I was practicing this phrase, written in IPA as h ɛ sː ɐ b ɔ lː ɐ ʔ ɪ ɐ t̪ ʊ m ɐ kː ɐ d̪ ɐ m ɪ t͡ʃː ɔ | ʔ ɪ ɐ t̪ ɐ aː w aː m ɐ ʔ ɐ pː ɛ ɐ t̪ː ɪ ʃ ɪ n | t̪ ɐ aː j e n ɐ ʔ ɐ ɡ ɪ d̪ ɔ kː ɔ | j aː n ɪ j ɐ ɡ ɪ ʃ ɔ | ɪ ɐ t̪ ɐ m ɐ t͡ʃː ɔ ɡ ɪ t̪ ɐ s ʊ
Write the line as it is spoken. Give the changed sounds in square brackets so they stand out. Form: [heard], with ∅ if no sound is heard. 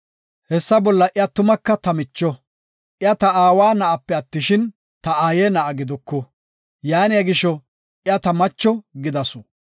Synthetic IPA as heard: h ɛ sː ɐ b ɔ lː ɐ ʔ ɪ ɐ t̪ ʊ m ɐ kː ɐ [t̪] ɐ m ɪ t͡ʃː ɔ | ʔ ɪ ɐ t̪ ɐ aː w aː [n] ɐ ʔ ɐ pː ɛ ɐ t̪ː ɪ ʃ ɪ n | t̪ ɐ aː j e n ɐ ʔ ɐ ɡ ɪ d̪ ɔ kː ɔ | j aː n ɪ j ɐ ɡ ɪ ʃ ɔ | ɪ ɐ t̪ ɐ m ɐ t͡ʃː ɔ ɡ ɪ [d̪] ɐ s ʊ

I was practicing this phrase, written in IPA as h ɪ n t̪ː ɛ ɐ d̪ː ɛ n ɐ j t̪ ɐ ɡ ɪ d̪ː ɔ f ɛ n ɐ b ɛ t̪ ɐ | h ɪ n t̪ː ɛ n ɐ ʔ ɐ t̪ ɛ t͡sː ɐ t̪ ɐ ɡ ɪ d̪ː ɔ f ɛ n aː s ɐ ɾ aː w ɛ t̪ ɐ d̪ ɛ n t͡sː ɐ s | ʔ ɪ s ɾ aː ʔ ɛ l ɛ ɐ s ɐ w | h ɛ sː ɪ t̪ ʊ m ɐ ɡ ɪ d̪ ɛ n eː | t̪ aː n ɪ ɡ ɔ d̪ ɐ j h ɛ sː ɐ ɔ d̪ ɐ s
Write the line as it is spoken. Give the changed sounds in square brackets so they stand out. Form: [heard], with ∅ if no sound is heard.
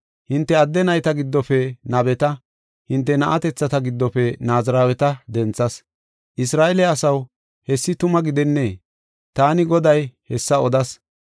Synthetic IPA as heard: h ɪ n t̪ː ɛ ɐ d̪ː ɛ n ɐ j t̪ ɐ ɡ ɪ d̪ː ɔ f ɛ n ɐ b ɛ t̪ ɐ | h ɪ n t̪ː ɛ n ɐ ʔ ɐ t̪ ɛ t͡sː ɐ t̪ ɐ ɡ ɪ d̪ː ɔ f ɛ n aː [z] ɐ ɾ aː w ɛ t̪ ɐ d̪ ɛ n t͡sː ɐ s | ʔ ɪ s ɾ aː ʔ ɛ l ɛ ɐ s ɐ w | h ɛ sː ɪ t̪ ʊ m ɐ ɡ ɪ d̪ ɛ [nː] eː | t̪ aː n ɪ ɡ ɔ d̪ ɐ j h ɛ sː ɐ ɔ d̪ ɐ s

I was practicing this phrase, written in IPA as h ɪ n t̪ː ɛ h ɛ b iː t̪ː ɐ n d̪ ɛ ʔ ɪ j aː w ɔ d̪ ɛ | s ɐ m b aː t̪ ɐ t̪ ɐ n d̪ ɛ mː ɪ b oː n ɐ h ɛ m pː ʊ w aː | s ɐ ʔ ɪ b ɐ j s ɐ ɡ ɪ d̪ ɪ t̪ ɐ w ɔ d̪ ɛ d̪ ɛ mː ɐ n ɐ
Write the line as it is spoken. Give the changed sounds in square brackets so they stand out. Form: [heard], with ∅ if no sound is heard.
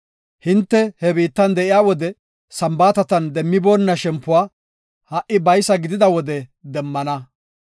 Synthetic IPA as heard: h ɪ n t̪ː ɛ h ɛ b iː t̪ː ɐ n d̪ ɛ ʔ ɪ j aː w ɔ d̪ ɛ | s ɐ m b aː t̪ ɐ t̪ ɐ n d̪ ɛ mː ɪ b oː [nː] ɐ [ʃ] ɛ m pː ʊ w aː | [h] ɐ ʔ ɪ b ɐ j s ɐ ɡ ɪ d̪ ɪ [d̪] ɐ w ɔ d̪ ɛ d̪ ɛ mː ɐ n ɐ

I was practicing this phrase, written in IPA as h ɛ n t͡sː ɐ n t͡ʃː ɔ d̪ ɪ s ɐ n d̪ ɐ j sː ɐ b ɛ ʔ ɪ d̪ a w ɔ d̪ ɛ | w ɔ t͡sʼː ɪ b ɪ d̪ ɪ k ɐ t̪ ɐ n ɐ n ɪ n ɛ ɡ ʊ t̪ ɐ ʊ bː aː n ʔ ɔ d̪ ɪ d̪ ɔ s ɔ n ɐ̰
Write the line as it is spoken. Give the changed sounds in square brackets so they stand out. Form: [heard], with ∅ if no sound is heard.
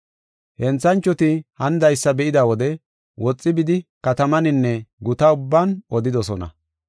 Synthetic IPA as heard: h ɛ n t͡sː ɐ n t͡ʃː ɔ [t̪] ɪ [h] ɐ n d̪ ɐ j sː ɐ b ɛ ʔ ɪ d̪ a w ɔ d̪ ɛ | w ɔ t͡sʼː ɪ b ɪ d̪ ɪ k ɐ t̪ ɐ [m] ɐ n ɪ [nː] ɛ ɡ ʊ t̪ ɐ ʊ bː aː n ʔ ɔ d̪ ɪ d̪ ɔ s ɔ n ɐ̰

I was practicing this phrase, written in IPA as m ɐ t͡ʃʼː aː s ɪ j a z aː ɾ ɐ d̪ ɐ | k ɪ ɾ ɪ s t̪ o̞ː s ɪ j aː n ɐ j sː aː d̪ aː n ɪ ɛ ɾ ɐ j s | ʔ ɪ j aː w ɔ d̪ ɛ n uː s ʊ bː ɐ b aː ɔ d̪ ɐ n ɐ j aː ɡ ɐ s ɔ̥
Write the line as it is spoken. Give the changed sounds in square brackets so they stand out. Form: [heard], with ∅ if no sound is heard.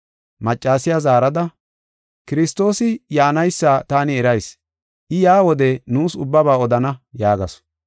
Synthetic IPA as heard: m ɐ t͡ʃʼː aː s ɪ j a z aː ɾ ɐ d̪ ɐ | k ɪ ɾ ɪ s t̪ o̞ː s ɪ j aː n ɐ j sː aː [t̪] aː n ɪ ɛ ɾ ɐ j s | ʔ ɪ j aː w ɔ d̪ ɛ n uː s ʊ bː ɐ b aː ɔ d̪ ɐ n ɐ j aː ɡ ɐ s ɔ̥

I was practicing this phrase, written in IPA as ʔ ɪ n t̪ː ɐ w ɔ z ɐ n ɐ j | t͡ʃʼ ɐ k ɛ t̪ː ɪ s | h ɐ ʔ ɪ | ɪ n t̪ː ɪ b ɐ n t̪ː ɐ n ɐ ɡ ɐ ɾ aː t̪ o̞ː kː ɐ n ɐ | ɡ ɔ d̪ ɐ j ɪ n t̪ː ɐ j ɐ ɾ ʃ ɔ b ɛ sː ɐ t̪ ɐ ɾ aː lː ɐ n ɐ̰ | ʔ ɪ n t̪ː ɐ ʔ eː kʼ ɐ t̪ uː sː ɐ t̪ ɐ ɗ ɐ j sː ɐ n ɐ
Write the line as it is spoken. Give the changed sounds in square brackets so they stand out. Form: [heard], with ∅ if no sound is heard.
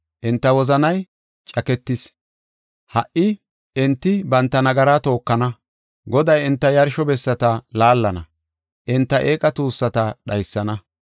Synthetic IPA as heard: ʔ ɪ n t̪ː ɐ w ɔ z ɐ n ɐ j | t͡ʃʼ ɐ k ɛ t̪ː ɪ s | h ɐ ʔ ɪ | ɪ n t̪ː ɪ b ɐ n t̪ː ɐ n ɐ ɡ ɐ ɾ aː t̪ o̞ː kː ɐ n ɐ | ɡ ɔ d̪ ɐ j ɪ n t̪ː ɐ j ɐ ɾ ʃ ɔ b ɛ sː ɐ t̪ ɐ [l] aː lː ɐ n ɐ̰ | ʔ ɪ n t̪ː ɐ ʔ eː kʼ ɐ t̪ uː sː ɐ t̪ ɐ ɗ ɐ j sː ɐ n ɐ

